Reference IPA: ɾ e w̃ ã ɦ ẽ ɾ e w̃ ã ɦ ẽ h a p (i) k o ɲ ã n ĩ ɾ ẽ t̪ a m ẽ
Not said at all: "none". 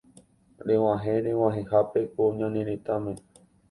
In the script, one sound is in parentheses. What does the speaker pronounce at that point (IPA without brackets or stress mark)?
e